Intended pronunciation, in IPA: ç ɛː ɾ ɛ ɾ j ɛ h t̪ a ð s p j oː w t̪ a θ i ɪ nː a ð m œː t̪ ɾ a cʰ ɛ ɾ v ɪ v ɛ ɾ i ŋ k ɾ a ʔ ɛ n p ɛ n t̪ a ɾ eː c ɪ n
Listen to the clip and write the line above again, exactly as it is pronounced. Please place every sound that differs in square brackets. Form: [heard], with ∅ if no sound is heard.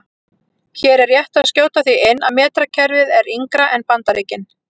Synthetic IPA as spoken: ç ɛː ɾ ɛ ɾ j ɛ h t̪ a ð s [c] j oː w t̪ a θ i ɪ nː a ð m [ɛː] t̪ ɾ a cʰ ɛ ɾ v ɪ [ð] ɛ ɾ i ŋ k ɾ a ʔ ɛ n p [a] n t̪ a ɾ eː c ɪ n